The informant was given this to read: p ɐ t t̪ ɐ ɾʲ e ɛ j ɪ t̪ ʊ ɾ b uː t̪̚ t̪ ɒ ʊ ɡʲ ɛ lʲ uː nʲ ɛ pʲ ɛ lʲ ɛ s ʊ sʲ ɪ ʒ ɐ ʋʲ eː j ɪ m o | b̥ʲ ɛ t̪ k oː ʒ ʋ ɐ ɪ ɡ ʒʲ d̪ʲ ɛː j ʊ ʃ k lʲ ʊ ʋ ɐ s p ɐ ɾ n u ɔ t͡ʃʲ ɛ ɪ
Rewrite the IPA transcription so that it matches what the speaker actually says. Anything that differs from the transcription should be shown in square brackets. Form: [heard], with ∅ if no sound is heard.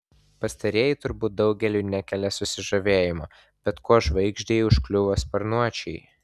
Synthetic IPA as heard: p ɐ [s] t̪ ɐ ɾʲ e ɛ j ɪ t̪ ʊ ɾ b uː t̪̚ [d̪] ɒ ʊ ɡʲ ɛ lʲ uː nʲ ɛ [kʲ] ɛ lʲ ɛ s ʊ sʲ ɪ ʒ ɐ ʋʲ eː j ɪ m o | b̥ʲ ɛ t̪ k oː ʒ ʋ ɐ ɪ ɡ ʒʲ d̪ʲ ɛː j ʊ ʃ k lʲ ʊ ʋ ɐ s p ɐ ɾ n u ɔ t͡ʃʲ ɛ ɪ